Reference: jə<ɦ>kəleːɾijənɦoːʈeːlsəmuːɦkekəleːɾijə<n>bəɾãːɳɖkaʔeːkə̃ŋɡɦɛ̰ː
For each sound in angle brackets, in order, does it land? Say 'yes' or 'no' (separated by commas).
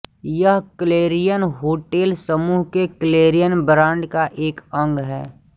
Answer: yes, yes